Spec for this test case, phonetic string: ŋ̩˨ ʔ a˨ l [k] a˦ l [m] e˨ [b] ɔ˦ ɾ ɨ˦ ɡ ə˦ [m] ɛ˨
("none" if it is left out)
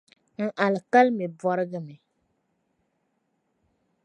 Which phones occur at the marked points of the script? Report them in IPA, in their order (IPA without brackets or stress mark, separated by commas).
k, m, b, m